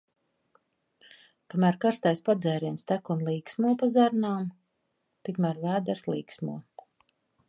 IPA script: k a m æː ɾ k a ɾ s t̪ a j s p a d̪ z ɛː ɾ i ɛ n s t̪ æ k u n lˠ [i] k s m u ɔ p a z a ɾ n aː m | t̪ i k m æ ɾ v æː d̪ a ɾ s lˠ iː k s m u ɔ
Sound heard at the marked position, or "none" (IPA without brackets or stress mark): iː